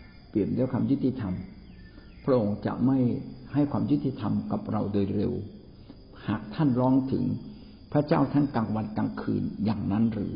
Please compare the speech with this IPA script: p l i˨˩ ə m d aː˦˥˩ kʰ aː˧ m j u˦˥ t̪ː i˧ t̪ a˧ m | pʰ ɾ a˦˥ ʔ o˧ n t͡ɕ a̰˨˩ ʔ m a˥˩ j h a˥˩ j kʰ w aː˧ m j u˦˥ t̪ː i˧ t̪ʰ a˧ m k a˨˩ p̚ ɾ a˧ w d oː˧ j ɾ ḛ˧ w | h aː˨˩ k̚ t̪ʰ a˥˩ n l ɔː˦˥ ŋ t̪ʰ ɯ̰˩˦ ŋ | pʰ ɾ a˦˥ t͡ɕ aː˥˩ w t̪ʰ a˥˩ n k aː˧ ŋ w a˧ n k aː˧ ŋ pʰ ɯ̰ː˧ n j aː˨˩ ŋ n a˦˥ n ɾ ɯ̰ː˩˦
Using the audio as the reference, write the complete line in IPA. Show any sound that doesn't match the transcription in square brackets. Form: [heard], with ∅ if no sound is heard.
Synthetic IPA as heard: p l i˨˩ ə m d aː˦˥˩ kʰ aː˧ m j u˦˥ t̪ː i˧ [t̪ʰ] a˧ m | pʰ ɾ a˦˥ ʔ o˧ [ŋ] t͡ɕ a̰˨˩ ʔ m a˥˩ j h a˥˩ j kʰ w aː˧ m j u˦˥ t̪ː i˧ t̪ʰ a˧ m k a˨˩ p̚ ɾ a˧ w d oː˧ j ɾ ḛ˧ w | h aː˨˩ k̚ t̪ʰ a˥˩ n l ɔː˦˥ ŋ t̪ʰ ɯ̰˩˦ ŋ | pʰ ɾ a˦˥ t͡ɕ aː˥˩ w t̪ʰ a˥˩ n k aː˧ ŋ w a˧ n k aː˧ ŋ [kʰ] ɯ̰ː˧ n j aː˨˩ ŋ n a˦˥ n ɾ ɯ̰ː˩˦